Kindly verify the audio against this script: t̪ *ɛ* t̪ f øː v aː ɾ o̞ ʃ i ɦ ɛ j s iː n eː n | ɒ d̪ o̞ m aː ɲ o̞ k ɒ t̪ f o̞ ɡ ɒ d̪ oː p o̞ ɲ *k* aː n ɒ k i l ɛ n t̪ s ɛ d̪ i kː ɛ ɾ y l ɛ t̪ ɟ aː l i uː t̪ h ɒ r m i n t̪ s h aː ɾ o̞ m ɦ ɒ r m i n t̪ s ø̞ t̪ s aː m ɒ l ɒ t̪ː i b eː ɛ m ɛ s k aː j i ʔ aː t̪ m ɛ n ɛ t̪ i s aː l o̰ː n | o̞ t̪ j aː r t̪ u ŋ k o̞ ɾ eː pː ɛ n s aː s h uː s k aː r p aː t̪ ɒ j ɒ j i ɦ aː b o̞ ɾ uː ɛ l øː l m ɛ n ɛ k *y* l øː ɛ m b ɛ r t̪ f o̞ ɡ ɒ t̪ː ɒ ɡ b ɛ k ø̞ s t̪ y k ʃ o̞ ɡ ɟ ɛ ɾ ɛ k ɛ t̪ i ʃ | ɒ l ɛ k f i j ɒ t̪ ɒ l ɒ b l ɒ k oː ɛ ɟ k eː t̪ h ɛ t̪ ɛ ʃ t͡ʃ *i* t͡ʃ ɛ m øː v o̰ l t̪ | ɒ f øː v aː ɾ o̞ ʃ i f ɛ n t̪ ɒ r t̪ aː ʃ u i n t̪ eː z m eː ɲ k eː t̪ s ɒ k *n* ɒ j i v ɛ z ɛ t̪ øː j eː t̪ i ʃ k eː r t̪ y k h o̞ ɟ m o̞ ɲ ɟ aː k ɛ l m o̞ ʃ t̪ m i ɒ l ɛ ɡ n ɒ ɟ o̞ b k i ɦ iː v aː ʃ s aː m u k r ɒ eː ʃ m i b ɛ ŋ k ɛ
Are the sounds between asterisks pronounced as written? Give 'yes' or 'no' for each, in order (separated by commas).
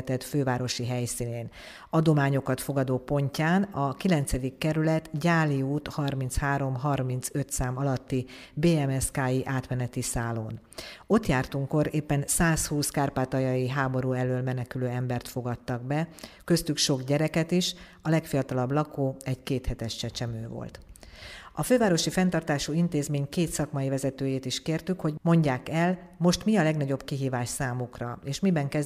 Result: yes, no, yes, no, no